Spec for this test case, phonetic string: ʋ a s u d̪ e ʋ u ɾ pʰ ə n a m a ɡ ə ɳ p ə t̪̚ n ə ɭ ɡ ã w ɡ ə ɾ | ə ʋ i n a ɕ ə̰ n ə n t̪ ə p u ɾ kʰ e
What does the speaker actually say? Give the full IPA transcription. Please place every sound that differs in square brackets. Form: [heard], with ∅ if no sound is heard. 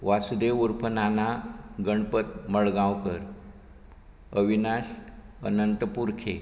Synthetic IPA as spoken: ʋ a s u d̪ e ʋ u ɾ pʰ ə n a [n] a ɡ ə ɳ p ə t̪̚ [m] ə ɭ ɡ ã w [k] ə ɾ | ə ʋ i n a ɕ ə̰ n ə n t̪ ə p u ɾ kʰ e